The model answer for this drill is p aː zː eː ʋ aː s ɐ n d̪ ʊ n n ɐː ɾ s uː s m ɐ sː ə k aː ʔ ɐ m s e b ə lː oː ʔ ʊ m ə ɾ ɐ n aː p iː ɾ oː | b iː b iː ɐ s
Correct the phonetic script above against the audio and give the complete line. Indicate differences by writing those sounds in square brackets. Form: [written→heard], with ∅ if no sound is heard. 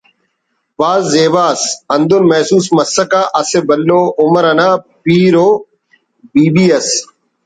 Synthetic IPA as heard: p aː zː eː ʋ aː s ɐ n d̪ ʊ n [n→m] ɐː [ɾ→∅] s uː s m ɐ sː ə k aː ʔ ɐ [m→∅] s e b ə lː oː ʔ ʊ m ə ɾ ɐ n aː p iː ɾ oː | b iː b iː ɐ s